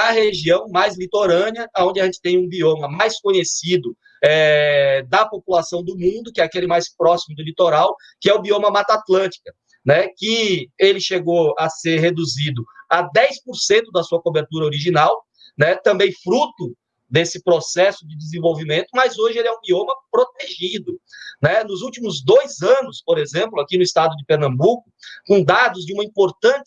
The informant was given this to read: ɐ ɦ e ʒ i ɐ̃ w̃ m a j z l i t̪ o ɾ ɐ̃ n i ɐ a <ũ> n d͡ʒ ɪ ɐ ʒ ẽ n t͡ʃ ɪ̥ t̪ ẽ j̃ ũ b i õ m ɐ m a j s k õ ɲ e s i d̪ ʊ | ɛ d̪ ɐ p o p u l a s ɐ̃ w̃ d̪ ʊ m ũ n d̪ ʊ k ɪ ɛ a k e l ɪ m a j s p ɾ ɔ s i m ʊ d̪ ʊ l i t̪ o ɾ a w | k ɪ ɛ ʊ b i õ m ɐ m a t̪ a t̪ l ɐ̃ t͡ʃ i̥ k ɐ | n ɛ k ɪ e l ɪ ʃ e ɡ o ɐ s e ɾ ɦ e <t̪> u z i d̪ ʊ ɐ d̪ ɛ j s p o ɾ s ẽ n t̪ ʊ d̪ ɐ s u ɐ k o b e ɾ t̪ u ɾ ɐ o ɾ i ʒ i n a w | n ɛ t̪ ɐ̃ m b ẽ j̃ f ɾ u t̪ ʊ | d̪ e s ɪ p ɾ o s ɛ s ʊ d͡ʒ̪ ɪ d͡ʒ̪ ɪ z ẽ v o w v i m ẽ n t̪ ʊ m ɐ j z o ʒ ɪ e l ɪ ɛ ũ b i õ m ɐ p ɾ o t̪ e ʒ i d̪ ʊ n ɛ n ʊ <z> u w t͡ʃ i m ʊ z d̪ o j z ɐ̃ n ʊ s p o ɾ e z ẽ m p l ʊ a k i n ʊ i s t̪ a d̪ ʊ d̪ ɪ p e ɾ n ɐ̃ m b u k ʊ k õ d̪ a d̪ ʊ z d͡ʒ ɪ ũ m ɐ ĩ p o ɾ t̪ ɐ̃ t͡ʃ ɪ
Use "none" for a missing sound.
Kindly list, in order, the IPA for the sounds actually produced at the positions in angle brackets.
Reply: õ, d̪, z

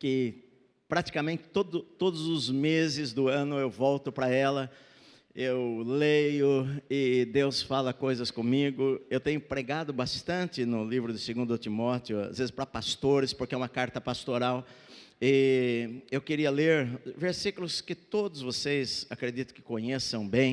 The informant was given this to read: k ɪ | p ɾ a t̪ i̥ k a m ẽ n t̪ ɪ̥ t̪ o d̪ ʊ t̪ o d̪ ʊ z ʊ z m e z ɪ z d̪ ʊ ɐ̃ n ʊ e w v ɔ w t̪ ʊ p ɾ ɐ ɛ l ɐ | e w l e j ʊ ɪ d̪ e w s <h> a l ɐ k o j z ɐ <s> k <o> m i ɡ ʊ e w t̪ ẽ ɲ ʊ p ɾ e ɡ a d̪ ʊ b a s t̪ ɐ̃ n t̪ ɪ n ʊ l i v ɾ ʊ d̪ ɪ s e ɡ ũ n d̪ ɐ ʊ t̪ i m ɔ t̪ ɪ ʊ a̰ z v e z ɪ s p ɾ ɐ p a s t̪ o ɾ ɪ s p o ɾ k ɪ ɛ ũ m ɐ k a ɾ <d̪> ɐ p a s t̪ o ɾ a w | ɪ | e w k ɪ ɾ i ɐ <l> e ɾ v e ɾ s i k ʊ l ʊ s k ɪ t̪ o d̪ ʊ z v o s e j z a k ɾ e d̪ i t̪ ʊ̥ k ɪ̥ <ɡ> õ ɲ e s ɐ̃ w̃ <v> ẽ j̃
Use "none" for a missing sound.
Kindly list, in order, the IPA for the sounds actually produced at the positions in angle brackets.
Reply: f, s, õ, t̪, l, k, b

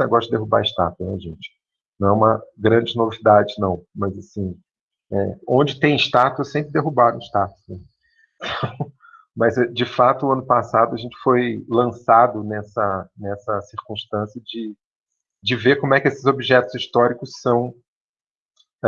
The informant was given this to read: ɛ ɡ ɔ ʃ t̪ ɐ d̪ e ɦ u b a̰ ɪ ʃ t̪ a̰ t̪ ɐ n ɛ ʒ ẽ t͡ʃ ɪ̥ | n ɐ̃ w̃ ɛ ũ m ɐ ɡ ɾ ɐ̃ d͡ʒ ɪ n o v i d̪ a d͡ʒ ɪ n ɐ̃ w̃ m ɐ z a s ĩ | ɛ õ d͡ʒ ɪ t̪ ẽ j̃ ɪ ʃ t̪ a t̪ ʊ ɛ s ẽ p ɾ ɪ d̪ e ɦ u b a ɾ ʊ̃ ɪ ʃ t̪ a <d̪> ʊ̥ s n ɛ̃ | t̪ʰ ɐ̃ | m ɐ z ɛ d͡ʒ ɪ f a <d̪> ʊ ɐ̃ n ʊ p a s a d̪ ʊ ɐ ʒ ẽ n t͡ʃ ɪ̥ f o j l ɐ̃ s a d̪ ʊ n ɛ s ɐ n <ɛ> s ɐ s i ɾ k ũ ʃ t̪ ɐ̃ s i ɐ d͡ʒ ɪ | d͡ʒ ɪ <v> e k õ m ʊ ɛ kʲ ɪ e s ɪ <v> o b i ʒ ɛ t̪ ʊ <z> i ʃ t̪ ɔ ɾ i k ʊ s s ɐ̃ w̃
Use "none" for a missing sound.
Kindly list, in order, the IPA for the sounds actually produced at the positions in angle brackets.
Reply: t̪, t̪, ɛ, v, z, z

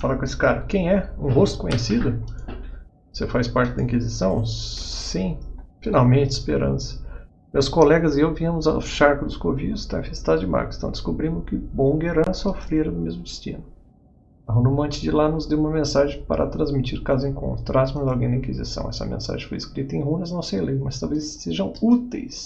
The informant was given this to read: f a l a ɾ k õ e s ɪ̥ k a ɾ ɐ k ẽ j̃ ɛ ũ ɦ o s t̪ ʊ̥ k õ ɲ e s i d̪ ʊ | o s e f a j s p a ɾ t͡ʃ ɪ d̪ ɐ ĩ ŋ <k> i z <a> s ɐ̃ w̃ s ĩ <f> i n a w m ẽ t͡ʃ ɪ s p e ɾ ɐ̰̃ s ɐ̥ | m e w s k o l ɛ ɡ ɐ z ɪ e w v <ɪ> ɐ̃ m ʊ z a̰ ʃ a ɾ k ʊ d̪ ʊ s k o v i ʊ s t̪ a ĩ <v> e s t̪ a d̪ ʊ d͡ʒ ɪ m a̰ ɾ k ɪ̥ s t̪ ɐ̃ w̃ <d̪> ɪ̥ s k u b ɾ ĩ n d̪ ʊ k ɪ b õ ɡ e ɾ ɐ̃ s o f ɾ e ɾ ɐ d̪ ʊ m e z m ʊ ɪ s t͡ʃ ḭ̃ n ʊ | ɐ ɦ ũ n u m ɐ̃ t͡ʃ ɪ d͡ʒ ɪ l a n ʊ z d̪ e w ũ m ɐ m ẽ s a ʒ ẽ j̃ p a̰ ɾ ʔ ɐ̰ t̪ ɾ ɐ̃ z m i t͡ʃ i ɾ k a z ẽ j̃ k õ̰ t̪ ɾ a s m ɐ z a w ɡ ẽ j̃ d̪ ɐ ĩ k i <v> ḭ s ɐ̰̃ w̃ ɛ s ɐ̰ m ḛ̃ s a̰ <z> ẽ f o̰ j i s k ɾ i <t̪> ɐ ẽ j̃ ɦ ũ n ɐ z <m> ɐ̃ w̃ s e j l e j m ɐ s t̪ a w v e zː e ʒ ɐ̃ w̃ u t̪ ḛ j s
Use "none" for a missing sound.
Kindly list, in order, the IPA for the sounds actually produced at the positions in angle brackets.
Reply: k, i, f, i, f, d̪, z, ʒ, t̪, n

